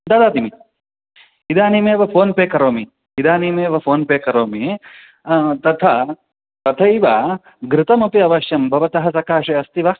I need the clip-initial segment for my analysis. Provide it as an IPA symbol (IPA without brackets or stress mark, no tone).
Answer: d̪